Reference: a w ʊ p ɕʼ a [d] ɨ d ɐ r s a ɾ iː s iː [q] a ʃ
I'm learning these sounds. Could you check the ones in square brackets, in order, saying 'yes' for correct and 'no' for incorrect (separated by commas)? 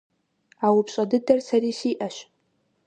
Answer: yes, no